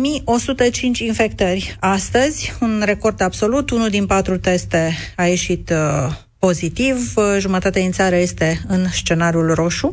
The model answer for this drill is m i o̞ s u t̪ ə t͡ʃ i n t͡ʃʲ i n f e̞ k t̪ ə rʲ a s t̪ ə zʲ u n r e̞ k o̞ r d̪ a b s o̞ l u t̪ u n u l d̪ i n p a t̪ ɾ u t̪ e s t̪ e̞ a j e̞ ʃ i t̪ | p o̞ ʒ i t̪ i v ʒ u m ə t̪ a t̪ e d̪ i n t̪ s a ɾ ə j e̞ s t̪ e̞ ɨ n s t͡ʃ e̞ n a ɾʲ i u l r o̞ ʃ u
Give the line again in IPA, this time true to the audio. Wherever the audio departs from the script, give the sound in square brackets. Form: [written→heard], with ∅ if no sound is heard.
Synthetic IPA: m i o̞ s u t̪ ə t͡ʃ i n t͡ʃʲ i n f e̞ k t̪ ə rʲ a s t̪ ə zʲ u n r e̞ k o̞ r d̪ a b s o̞ l u t̪ u n u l d̪ i n p a t̪ ɾ u t̪ e s t̪ e̞ a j e̞ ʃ i t̪ | p o̞ [ʒ→z] i t̪ i v ʒ u m ə t̪ a t̪ e d̪ i n t̪ s a ɾ ə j e̞ s t̪ e̞ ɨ n s t͡ʃ e̞ n a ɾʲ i u l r o̞ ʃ u